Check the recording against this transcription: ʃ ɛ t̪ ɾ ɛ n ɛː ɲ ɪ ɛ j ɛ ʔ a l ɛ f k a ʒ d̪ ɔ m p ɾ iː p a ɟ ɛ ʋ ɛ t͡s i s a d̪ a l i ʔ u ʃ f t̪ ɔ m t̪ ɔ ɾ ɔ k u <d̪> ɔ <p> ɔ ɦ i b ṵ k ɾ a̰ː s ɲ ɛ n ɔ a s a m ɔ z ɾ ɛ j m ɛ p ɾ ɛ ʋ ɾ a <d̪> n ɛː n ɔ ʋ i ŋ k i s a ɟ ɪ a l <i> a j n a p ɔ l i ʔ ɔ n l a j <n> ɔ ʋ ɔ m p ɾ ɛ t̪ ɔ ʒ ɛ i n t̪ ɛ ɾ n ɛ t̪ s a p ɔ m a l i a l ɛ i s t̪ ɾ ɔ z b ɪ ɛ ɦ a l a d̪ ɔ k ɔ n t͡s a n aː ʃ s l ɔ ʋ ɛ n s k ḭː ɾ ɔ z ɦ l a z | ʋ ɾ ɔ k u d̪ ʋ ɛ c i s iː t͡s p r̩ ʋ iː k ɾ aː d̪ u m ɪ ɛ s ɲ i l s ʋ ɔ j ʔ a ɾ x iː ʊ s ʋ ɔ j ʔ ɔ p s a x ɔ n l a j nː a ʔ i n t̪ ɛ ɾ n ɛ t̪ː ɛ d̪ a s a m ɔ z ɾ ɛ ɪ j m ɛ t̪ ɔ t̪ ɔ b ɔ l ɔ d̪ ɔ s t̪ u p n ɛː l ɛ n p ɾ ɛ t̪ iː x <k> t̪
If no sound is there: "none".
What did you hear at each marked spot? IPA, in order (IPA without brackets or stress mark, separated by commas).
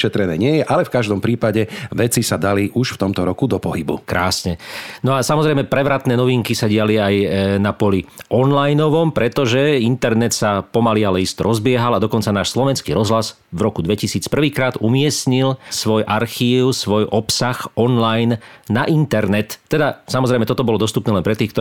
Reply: d̪, p, t̪, i, n, k